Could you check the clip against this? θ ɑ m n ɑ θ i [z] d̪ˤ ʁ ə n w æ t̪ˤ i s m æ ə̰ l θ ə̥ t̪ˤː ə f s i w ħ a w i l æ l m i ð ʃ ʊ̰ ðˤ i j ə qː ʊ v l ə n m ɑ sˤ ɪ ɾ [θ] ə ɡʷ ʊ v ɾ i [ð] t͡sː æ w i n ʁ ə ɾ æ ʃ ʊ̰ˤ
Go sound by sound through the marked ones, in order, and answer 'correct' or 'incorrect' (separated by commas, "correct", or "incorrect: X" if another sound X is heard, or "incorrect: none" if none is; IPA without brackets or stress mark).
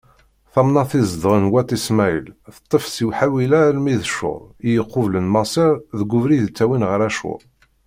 correct, incorrect: ð, correct